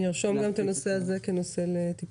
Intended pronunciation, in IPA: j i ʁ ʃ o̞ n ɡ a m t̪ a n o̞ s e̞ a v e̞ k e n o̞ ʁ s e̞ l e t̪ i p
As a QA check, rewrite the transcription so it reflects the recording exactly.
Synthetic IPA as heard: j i ʁ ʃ o̞ m ɡ a m t̪ a n o̞ s e̞ a z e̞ k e n o̞ s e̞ l e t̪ i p